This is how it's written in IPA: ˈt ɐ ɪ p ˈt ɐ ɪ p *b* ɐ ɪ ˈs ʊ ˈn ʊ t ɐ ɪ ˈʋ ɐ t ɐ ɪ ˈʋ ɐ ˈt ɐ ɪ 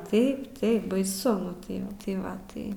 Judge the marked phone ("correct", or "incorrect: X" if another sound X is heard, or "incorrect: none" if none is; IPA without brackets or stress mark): correct